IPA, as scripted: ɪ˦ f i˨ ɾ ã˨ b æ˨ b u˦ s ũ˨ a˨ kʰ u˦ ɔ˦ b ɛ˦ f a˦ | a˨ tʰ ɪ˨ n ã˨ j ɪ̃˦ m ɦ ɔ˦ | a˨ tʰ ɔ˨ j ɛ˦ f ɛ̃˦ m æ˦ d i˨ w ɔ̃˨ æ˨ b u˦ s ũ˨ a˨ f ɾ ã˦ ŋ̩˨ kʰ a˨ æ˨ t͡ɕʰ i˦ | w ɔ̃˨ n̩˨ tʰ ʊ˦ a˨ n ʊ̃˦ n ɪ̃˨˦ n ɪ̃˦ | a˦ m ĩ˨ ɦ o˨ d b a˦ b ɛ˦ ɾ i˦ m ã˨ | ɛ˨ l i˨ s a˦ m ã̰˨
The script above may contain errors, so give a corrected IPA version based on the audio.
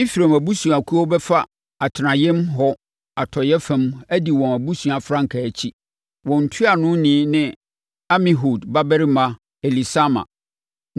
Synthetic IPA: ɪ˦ f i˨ ɾ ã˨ m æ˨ b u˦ s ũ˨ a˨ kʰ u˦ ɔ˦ b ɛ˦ f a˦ | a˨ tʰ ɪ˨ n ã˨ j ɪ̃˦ m ɦ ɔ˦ | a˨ tʰ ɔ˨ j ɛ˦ f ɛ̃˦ m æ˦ d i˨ w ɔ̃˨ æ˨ b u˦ s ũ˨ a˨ f ɾ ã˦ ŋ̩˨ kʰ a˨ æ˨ t͡ɕʰ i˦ | w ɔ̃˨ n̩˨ tʰ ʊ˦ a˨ n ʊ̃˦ n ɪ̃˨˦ n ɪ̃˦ | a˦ m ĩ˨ ɦ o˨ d b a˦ b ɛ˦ ɾ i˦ m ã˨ | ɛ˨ l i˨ s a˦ m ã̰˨